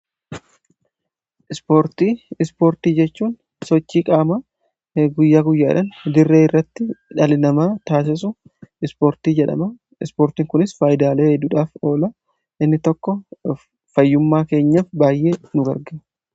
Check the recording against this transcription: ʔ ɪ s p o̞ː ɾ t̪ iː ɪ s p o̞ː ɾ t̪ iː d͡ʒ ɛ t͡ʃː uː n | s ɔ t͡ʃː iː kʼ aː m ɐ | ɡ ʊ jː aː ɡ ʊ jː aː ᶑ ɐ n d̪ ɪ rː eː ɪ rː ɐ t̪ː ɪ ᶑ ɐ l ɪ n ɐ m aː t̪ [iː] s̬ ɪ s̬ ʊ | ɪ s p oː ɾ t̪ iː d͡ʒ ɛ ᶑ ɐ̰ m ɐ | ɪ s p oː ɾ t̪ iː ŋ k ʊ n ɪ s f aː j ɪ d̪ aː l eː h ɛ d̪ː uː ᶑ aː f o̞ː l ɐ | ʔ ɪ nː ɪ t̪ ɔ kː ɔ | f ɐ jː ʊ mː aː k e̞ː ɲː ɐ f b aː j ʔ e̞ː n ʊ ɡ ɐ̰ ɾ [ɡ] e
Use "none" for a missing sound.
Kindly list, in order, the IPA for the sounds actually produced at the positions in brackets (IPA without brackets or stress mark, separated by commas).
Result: aː, ɡ